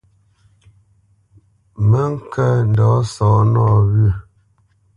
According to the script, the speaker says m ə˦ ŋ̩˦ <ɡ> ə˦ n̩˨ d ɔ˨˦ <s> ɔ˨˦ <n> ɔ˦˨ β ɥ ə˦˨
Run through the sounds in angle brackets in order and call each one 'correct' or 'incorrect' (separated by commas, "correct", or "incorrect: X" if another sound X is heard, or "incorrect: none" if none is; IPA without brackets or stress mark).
incorrect: k, correct, correct